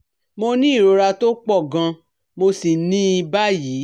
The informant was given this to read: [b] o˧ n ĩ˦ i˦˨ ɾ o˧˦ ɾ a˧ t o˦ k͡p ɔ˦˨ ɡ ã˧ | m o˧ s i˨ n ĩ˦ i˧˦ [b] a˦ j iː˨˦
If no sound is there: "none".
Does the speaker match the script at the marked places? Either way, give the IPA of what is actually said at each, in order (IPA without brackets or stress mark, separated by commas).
m, b